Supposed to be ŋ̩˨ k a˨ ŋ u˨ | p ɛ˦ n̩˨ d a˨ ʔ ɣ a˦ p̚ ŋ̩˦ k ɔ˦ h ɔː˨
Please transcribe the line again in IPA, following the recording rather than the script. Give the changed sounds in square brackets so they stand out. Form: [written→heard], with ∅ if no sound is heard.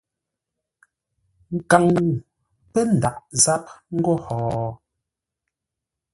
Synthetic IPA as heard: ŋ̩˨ k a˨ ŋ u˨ | p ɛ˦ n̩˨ d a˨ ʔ [ɣ→z] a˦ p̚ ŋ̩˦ [k→ɡ] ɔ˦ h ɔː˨